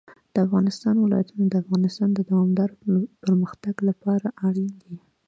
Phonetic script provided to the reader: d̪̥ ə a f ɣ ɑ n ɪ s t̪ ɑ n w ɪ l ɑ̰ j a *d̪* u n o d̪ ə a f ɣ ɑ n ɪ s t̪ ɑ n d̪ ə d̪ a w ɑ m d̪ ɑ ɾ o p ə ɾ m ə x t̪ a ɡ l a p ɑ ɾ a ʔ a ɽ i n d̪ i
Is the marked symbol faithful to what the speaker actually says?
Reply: no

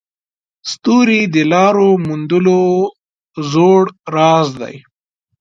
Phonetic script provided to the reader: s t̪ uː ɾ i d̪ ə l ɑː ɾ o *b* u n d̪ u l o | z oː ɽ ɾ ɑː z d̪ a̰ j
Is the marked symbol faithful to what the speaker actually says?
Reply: no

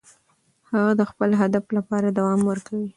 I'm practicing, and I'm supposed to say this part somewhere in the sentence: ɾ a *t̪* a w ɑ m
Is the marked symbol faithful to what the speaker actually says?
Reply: no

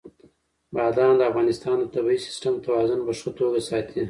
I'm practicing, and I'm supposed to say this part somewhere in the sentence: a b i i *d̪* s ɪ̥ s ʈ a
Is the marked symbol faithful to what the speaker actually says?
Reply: no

